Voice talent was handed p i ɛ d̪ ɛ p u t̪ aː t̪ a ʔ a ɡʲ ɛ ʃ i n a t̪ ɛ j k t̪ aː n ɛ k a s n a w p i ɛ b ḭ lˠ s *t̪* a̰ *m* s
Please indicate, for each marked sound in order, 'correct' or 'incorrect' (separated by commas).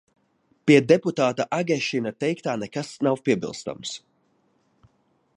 correct, correct